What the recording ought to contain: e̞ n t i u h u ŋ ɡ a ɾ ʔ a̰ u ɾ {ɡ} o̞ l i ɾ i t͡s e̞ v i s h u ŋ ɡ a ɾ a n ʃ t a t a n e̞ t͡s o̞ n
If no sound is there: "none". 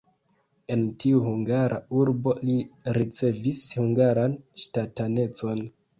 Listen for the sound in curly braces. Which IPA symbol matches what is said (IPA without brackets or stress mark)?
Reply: b